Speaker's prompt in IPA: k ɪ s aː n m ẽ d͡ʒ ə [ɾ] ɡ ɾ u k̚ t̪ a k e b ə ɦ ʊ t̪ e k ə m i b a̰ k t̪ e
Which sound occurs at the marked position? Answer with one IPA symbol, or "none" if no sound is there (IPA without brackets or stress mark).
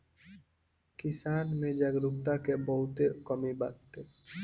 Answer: none